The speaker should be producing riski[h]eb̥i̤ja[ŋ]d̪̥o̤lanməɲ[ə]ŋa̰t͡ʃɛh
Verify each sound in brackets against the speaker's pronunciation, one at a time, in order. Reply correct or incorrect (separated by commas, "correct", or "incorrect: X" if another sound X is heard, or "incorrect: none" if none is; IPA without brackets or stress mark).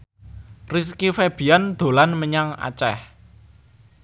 incorrect: f, incorrect: n, incorrect: a